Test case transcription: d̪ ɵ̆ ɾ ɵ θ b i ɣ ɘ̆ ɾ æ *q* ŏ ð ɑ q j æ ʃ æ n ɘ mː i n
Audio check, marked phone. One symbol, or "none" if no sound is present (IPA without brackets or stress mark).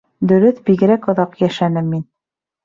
k